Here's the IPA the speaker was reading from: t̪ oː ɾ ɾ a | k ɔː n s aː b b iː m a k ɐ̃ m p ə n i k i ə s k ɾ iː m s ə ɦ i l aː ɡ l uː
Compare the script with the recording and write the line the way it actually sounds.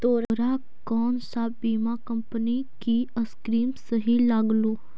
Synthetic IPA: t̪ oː ɾ ɾ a | k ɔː n s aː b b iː m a k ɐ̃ m p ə n i k i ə s k ɾ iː m s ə ɦ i l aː ɡ l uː